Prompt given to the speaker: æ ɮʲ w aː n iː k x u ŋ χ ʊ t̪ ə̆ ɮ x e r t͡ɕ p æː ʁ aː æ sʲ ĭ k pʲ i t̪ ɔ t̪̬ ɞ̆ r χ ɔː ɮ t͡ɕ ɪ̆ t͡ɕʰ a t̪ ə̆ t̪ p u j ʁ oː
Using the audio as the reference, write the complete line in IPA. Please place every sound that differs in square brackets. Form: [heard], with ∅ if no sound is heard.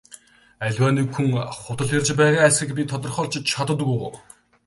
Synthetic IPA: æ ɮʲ w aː n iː k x u ŋ χ ʊ t̪ ə̆ ɮ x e r t͡ɕ p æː ʁ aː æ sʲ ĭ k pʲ i [t̪ʰ] ɔ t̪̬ ɞ̆ r χ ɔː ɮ t͡ɕ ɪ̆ t͡ɕʰ a t̪ ə̆ t̪ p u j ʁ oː